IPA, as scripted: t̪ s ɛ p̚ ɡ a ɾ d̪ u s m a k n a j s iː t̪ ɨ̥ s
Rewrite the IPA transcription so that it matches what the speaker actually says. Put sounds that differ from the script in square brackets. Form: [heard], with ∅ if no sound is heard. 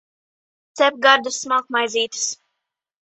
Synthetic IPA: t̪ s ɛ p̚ ɡ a ɾ d̪ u s m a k [m] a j [z] iː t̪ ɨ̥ s